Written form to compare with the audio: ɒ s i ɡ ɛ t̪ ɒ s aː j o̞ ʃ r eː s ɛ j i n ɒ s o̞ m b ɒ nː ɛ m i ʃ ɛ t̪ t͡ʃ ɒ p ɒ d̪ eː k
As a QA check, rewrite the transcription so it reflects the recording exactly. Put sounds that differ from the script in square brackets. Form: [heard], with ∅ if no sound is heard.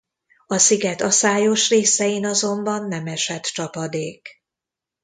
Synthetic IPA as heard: ɒ s i ɡ ɛ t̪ ɒ s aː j o̞ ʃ r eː s ɛ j i n ɒ [z] o̞ m b ɒ nː ɛ m [ɛ] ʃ ɛ t̪ t͡ʃ ɒ p ɒ d̪ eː k